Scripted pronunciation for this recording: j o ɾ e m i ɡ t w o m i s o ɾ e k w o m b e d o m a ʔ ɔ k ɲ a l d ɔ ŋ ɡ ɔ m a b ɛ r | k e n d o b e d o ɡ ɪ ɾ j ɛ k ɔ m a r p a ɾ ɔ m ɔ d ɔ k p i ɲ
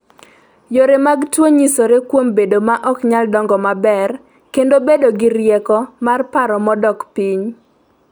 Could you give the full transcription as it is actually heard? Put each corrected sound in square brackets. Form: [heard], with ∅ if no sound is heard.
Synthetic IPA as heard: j o ɾ e m [a] ɡ t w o [ɲ] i s o ɾ e k w o m b e d o m a ʔ ɔ k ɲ a l d ɔ ŋ ɡ ɔ m a b ɛ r | k e n d o b e d o ɡ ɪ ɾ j ɛ k ɔ m a r p a ɾ ɔ m ɔ d ɔ k p i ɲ